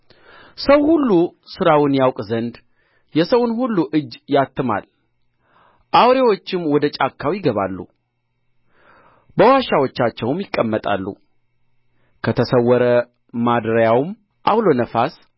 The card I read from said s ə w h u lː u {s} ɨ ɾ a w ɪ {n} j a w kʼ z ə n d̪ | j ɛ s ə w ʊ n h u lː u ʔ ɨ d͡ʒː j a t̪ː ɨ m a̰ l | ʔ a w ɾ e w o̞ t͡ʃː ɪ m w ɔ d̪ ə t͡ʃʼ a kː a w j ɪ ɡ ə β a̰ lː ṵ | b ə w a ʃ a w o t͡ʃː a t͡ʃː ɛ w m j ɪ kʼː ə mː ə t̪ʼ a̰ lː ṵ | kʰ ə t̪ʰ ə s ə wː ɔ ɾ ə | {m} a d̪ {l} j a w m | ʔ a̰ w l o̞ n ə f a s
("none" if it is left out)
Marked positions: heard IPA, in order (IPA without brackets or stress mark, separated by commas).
s, n, m, ɾ